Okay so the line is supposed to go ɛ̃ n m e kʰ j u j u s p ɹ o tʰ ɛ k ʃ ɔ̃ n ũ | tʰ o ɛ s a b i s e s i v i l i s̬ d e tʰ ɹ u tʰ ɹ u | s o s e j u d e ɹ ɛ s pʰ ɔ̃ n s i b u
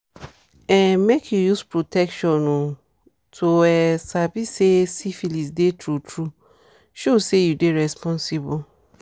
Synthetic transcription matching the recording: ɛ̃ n m e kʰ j u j u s p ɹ o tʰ ɛ k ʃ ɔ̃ n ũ | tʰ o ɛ s a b i s e s i f i l i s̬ d e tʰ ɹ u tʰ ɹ u | ʃ o s e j u d e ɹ ɛ s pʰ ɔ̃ n s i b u